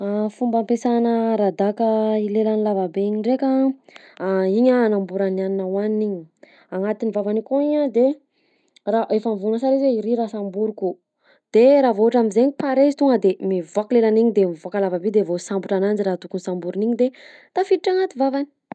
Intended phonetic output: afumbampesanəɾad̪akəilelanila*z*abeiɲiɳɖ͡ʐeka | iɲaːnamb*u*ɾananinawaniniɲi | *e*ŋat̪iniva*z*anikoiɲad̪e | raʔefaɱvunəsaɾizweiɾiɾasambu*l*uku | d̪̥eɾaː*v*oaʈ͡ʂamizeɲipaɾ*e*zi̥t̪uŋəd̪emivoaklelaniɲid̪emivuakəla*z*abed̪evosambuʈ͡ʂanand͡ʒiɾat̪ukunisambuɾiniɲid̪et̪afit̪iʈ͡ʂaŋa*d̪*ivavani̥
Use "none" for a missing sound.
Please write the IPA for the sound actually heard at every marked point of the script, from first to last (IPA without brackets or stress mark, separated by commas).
v, u, a, v, ɾ, v, e, v, t̪